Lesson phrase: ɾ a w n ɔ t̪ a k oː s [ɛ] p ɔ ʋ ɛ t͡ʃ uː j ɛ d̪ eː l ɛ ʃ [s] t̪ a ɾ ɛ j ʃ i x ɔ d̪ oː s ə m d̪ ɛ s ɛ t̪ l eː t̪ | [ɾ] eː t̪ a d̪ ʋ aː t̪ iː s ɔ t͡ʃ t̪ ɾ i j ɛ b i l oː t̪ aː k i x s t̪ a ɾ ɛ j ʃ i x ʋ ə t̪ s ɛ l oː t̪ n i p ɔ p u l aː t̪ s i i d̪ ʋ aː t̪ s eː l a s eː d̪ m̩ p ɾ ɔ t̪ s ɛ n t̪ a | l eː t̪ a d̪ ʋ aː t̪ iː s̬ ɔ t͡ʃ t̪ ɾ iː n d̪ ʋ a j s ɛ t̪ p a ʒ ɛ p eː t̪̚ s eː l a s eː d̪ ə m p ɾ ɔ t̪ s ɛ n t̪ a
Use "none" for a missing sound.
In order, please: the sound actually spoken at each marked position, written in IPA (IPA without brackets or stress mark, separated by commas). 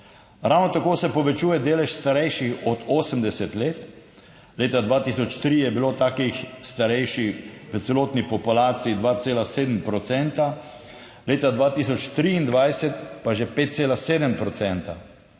ɛ, s, l